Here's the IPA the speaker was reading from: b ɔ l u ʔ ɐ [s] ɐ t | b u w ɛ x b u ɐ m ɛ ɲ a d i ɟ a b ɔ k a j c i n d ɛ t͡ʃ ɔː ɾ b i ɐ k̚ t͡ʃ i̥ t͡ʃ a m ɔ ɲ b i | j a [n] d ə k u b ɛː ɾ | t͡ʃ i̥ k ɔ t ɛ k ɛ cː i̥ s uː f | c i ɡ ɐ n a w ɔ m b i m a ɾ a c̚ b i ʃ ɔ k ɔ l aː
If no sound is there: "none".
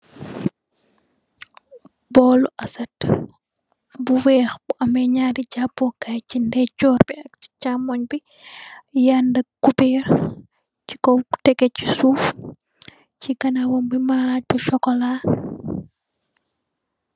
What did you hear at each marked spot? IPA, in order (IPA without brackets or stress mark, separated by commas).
s, n